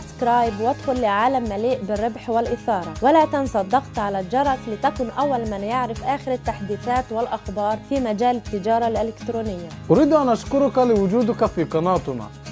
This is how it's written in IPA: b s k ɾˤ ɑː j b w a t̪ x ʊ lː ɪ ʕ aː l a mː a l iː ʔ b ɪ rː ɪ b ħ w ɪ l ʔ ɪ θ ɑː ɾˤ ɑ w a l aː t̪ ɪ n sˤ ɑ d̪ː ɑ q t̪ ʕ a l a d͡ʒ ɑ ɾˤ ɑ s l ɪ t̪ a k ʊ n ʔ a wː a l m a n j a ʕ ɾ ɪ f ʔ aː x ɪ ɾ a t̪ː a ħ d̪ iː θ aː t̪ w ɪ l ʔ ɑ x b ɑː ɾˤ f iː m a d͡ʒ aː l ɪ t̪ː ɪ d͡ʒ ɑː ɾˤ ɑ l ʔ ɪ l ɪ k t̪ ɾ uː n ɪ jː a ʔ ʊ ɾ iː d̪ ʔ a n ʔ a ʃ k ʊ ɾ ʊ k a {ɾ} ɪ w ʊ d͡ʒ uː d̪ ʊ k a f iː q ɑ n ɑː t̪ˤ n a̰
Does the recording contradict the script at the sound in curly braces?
yes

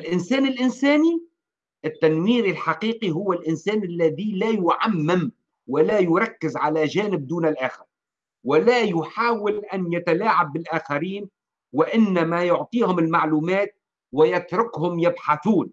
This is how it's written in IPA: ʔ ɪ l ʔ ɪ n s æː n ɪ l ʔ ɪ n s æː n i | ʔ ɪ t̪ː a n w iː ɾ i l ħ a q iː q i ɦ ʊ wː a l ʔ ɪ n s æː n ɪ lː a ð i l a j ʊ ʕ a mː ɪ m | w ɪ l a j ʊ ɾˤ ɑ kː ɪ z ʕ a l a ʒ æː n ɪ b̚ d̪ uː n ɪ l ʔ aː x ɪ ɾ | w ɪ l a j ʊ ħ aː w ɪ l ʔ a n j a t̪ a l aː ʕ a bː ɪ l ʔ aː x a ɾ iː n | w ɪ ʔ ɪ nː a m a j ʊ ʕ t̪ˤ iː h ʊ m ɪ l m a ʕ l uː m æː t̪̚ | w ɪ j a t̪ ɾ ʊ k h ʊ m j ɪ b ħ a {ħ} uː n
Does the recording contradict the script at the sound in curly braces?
yes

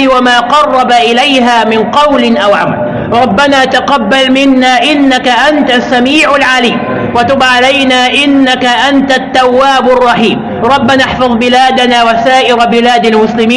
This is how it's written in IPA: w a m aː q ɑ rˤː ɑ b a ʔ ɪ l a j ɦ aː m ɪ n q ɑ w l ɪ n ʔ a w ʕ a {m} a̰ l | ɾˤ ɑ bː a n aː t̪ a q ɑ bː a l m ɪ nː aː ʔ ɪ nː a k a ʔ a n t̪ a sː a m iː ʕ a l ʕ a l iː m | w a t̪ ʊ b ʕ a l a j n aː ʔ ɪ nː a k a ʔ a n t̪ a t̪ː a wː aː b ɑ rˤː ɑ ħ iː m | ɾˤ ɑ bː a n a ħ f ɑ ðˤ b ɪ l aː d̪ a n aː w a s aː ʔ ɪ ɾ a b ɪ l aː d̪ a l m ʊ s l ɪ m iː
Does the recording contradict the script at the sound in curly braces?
no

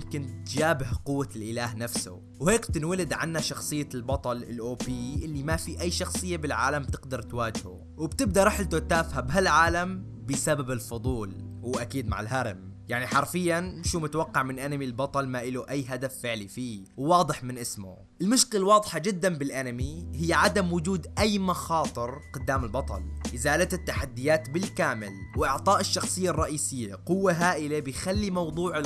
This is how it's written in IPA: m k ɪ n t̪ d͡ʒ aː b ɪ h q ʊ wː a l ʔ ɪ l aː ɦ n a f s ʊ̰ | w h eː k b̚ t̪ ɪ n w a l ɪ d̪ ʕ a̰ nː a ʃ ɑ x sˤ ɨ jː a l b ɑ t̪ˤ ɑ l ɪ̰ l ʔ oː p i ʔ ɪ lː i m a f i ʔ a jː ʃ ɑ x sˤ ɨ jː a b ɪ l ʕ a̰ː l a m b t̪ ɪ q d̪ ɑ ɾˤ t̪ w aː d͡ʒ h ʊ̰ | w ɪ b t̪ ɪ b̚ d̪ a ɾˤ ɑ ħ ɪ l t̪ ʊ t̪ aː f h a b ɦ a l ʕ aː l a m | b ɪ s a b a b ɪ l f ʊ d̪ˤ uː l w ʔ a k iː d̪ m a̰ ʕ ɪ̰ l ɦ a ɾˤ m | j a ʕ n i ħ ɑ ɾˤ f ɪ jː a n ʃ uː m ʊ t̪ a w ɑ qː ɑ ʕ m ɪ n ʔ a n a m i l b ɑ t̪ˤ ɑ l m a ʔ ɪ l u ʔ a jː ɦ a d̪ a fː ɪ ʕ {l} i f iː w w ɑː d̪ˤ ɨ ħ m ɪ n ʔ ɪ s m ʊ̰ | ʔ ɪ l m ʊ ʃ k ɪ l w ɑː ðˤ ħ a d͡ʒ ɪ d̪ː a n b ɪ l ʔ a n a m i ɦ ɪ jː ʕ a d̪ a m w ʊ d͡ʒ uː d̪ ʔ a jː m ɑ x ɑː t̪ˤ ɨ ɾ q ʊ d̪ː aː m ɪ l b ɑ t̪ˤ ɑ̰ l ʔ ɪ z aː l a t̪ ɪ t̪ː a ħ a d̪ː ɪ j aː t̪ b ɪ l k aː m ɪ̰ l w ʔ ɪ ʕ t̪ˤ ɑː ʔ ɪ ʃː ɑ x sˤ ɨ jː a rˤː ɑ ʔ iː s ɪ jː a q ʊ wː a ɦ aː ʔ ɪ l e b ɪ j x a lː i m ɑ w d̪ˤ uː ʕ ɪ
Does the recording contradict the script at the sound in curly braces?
no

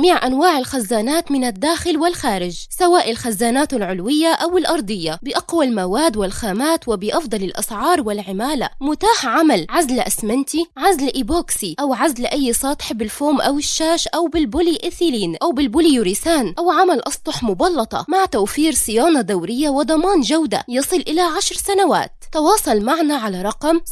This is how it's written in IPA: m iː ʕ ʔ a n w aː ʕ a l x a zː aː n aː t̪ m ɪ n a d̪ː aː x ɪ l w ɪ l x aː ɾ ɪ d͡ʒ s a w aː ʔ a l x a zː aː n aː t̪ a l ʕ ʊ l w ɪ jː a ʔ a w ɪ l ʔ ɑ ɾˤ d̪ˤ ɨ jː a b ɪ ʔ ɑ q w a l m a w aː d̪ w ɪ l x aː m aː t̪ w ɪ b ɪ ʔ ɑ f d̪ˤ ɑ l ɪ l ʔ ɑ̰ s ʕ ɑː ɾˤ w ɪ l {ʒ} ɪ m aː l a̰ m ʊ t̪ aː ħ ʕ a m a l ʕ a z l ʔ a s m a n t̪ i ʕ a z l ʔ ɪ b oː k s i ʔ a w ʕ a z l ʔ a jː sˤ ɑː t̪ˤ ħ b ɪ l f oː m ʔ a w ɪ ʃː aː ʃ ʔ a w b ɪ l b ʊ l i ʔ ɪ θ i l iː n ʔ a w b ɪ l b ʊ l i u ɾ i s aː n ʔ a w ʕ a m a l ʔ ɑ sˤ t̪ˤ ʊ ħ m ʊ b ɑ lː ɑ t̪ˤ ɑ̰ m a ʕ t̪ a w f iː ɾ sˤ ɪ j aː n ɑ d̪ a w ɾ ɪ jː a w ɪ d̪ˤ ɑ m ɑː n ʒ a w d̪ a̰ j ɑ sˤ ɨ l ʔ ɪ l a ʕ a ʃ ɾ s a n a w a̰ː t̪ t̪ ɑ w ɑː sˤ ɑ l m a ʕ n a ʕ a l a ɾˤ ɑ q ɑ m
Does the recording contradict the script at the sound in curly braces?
yes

